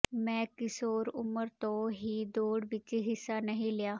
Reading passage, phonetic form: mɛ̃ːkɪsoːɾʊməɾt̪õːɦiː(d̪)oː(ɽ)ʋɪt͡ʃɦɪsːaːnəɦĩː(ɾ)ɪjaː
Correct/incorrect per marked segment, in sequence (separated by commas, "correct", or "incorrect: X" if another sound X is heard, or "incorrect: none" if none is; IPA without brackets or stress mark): correct, correct, incorrect: l